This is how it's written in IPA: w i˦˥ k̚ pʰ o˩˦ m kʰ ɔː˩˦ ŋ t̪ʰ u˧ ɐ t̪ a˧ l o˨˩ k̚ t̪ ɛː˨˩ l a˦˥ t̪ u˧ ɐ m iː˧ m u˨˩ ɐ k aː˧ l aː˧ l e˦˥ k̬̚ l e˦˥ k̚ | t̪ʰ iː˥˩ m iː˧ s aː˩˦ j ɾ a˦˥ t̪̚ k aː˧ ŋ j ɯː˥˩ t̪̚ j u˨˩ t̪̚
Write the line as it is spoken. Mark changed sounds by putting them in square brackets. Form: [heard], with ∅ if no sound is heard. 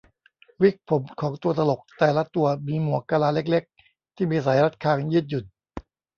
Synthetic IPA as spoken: w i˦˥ k̚ pʰ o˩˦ m kʰ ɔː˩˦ ŋ [t̪] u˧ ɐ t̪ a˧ l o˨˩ k̚ t̪ ɛː˨˩ l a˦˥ t̪ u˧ ɐ m iː˧ m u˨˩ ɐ k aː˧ l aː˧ l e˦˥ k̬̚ l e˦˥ k̚ | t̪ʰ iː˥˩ m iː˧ s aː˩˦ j ɾ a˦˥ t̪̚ [kʰ] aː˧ ŋ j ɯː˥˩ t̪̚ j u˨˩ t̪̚